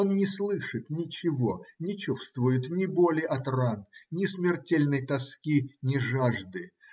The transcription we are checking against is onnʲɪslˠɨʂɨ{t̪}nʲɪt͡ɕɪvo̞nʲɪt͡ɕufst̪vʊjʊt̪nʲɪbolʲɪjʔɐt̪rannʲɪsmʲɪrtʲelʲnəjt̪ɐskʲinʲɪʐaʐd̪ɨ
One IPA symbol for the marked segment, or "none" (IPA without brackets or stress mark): t̪